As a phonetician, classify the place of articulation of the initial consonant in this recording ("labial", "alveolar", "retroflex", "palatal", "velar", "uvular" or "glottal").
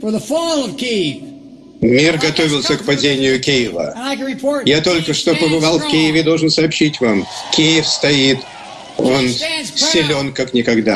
labial